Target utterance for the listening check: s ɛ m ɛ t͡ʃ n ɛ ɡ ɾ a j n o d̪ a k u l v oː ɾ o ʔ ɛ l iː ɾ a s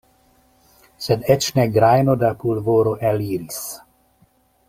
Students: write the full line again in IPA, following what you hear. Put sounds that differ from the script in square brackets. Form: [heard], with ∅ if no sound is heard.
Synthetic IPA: s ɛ [n] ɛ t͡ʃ n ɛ ɡ ɾ a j n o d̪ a [p] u l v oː ɾ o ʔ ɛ l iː ɾ [i] s

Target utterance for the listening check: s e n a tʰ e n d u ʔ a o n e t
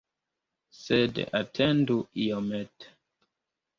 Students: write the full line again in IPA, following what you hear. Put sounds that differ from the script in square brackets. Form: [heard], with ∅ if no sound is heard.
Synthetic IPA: s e [d] a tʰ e n d u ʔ [i] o [m] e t

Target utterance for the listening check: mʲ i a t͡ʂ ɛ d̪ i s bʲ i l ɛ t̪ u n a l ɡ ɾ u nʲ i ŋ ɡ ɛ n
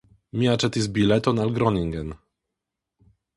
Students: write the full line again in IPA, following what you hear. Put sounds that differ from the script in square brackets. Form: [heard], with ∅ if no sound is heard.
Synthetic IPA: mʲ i a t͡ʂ ɛ [t̪] i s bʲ i l ɛ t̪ [ɔ] n a l ɡ ɾ [ɔ] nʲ i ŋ ɡ ɛ n

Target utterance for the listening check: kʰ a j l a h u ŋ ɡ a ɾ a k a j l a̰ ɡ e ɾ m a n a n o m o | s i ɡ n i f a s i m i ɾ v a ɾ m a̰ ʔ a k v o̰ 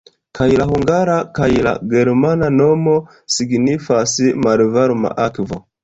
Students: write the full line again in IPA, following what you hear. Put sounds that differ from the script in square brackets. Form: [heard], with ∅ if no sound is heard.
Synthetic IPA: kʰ a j l a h u ŋ ɡ a ɾ a k a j l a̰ ɡ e ɾ m a n a n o m o | s i ɡ n i f a s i m [a] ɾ v a ɾ m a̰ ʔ a k v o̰

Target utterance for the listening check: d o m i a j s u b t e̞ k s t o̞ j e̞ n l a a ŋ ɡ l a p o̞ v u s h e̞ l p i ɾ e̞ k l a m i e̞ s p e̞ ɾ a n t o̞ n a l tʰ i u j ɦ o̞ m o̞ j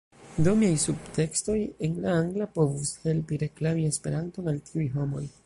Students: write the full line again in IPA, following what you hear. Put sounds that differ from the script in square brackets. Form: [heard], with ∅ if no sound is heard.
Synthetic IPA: d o m i a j s u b t e̞ k s t o̞ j e̞ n l a a ŋ ɡ l a p o̞ v u s h e̞ l p i ɾ e̞ k l a m i e̞ s p e̞ ɾ a n t o̞ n a l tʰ i u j ɦ o̞ m o̞ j

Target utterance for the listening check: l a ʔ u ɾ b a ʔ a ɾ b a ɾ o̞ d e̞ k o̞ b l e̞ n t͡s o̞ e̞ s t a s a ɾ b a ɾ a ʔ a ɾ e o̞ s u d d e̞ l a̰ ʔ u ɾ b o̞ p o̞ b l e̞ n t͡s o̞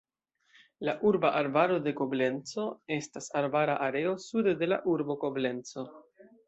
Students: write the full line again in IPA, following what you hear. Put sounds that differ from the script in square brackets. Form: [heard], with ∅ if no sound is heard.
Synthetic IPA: l a ʔ u ɾ b a ʔ a ɾ b a ɾ o̞ d e̞ k o̞ b l e̞ n t͡s o̞ e̞ s t a s a ɾ b a ɾ a ʔ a ɾ e o̞ s u d d e̞ l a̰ ʔ u ɾ b o̞ [k] o̞ b l e̞ n t͡s o̞

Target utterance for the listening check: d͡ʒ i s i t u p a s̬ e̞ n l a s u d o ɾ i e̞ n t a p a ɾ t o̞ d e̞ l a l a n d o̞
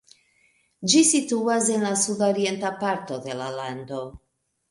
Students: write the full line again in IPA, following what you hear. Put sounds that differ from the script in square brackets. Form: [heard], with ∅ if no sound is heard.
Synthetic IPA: d͡ʒ i s i t u [∅] a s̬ e̞ n l a s u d o ɾ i e̞ n t a p a ɾ t o̞ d e̞ l a l a n d o̞

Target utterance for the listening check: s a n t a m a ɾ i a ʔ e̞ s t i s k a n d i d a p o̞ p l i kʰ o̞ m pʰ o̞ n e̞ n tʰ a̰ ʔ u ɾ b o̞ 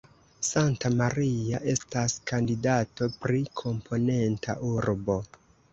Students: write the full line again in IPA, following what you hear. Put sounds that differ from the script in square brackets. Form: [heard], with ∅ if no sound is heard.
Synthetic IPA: s a n t a m a ɾ i a ʔ e̞ s t [a] s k a n d i d a [t] o̞ p [ɾ] i kʰ o̞ m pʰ o̞ n e̞ n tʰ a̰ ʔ u ɾ b o̞

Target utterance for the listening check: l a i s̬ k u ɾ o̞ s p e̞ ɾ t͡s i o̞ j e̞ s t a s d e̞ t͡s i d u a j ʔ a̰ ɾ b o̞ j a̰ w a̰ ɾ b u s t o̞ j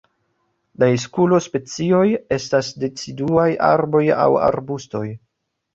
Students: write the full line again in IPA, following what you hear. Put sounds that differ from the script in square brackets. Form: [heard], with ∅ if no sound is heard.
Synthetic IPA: l a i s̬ k u [l] o̞ s p e̞ [∅] t͡s i o̞ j e̞ s t a s d e̞ t͡s i d u a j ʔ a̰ ɾ b o̞ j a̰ w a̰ ɾ b u s t o̞ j

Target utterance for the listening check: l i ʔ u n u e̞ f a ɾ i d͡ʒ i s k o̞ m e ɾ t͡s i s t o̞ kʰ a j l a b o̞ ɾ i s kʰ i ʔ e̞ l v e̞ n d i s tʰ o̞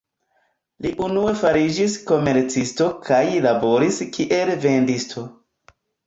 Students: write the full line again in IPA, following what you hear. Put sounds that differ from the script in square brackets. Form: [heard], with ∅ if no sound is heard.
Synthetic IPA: l i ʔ u n u e̞ f a ɾ i d͡ʒ i s k o̞ m e ɾ t͡s i s t o̞ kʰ a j l a b o̞ ɾ i s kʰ i ʔ e̞ l v e̞ n d i s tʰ o̞

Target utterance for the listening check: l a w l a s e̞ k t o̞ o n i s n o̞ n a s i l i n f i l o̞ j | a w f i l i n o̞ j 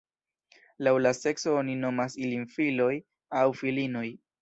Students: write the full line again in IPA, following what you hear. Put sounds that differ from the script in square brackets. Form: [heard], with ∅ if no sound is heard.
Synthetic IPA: l a w l a s e̞ k [s] o̞ o n i [∅] n o̞ [m] a s i l i n f i l o̞ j | a w f i l i n o̞ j

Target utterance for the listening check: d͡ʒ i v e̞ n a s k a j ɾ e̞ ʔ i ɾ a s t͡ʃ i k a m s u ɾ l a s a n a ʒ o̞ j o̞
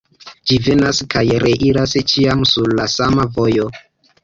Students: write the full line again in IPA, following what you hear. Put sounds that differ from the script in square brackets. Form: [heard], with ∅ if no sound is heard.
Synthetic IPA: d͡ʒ i v e̞ n a s k a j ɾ e̞ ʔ i ɾ a s t͡ʃ i [∅] a m s u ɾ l a s a [m] a [v] o̞ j o̞

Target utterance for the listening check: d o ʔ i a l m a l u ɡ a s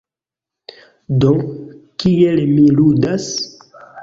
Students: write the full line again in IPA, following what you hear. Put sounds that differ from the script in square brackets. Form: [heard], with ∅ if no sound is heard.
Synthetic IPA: d o [k] i [e] l m [i] l u [d] a s

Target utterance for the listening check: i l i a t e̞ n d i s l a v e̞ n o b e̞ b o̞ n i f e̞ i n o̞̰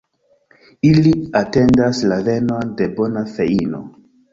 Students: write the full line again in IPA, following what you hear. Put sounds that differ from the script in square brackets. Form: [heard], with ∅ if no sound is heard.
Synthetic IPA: i l i a t e̞ n d [a] s l a v e̞ n o [d] e̞ b o̞ n [a] f e̞ i n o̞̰

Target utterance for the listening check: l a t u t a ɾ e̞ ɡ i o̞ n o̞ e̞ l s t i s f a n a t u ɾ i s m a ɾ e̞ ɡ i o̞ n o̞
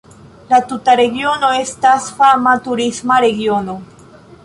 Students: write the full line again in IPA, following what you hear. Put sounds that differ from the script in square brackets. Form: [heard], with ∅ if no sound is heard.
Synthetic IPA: l a t u t a ɾ e̞ ɡ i o̞ n o̞ e̞ [∅] s t [a] s f a [m] a t u ɾ i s m a ɾ e̞ ɡ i o̞ n o̞

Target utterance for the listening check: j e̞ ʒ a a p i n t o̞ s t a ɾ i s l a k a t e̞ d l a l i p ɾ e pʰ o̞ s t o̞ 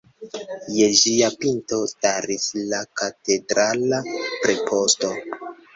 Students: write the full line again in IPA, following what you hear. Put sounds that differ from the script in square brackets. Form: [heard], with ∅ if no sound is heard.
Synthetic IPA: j e̞ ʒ [i] a p i n t o̞ s t a ɾ i s l a k a t e̞ d [ɾ] a l [a] p ɾ e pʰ o̞ s t o̞

